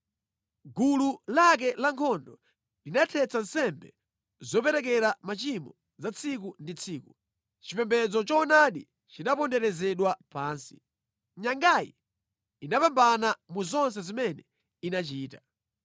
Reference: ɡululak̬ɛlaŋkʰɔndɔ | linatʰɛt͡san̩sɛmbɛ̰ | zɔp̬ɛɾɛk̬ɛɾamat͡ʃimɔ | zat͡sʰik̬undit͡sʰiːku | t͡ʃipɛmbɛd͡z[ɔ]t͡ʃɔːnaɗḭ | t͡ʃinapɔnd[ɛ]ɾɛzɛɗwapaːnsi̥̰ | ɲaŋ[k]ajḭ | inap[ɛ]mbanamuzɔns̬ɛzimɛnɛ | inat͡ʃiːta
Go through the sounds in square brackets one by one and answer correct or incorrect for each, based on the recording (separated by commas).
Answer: correct, correct, incorrect, incorrect